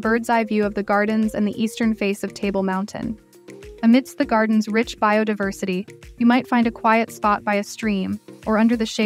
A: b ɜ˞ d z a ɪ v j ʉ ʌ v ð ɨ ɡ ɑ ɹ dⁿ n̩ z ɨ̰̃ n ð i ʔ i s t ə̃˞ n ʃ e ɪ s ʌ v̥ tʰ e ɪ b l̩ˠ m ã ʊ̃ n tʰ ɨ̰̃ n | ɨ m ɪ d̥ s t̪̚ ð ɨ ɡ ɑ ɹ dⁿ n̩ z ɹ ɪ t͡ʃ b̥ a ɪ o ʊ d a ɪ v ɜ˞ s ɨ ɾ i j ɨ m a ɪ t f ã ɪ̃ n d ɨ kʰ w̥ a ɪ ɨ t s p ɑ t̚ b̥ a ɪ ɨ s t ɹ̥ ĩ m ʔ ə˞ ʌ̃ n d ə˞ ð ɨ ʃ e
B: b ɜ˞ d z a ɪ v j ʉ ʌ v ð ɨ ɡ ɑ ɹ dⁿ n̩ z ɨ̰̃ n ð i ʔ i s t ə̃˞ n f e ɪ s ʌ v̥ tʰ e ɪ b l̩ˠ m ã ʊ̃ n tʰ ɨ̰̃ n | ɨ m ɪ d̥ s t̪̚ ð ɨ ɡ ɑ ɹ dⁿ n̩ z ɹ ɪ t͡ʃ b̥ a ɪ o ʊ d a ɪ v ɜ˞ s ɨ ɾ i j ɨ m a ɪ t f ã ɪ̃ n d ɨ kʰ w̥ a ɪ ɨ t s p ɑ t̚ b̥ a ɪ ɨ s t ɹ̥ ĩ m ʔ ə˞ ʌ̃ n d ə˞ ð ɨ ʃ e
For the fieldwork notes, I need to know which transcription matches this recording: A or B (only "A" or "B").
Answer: B